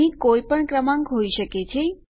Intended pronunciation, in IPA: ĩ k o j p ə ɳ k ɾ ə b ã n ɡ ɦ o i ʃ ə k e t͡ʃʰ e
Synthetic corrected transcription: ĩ k o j p ə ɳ k ɾ ə m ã ŋ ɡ ɦ o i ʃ ə k e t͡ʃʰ e